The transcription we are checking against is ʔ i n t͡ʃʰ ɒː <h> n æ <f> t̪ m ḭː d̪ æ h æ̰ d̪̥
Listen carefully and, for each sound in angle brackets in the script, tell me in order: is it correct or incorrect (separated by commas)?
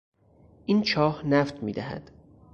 correct, correct